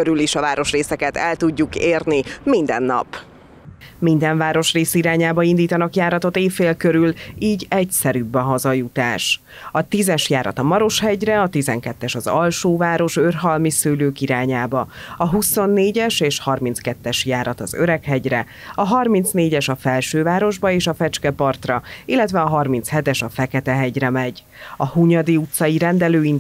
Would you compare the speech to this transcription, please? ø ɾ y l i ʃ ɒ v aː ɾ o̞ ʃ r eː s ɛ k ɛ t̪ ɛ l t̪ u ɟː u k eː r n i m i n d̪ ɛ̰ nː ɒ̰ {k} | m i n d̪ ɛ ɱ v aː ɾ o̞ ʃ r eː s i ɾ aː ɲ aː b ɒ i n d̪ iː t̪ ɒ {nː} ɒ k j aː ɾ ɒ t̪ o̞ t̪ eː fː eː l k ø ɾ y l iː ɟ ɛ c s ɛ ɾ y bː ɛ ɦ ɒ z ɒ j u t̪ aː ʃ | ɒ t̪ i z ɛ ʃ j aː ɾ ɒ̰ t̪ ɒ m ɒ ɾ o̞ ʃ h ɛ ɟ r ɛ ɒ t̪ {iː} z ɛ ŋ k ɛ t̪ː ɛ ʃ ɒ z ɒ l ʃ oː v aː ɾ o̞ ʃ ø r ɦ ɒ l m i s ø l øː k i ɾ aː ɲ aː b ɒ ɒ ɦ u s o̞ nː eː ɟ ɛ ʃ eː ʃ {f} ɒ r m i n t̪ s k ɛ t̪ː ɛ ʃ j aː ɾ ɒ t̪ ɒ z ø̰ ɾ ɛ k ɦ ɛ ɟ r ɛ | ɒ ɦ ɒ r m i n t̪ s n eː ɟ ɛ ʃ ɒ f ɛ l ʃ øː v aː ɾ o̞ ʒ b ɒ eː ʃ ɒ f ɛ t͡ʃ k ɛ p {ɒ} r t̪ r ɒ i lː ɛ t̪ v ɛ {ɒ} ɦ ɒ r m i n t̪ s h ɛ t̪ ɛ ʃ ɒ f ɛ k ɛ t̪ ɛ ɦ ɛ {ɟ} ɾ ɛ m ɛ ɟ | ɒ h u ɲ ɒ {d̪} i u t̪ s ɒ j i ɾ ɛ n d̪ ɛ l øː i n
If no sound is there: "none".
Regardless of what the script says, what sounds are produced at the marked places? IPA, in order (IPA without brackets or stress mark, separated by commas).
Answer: p, n, i, h, ɒ, ɒ, ɟ, d̪